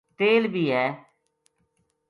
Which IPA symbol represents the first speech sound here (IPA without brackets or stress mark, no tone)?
t̪